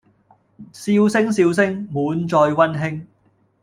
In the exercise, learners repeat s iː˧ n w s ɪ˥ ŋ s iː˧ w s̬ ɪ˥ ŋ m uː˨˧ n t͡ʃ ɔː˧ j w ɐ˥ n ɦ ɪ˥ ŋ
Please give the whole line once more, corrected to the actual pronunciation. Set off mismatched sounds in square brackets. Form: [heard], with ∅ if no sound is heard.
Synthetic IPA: s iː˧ [∅] w s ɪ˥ ŋ s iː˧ w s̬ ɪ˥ ŋ m uː˨˧ n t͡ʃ ɔː˧ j w ɐ˥ n ɦ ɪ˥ ŋ